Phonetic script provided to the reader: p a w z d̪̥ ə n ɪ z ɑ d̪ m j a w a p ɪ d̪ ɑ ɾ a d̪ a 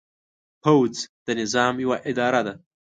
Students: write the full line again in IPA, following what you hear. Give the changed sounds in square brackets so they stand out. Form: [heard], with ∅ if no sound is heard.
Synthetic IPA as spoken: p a w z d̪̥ ə n ɪ z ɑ [∅] m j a w a [ʔ] ɪ d̪ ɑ ɾ a d̪ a